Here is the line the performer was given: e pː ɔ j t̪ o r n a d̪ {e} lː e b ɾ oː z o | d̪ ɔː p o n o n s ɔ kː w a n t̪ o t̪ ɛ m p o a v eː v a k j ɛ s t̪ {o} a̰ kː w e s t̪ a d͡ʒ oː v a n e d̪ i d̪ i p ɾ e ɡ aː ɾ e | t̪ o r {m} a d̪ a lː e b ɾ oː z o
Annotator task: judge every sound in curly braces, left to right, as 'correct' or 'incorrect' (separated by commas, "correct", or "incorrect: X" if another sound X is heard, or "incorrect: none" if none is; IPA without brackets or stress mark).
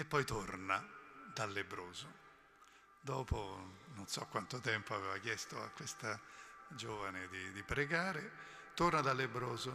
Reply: incorrect: a, correct, incorrect: n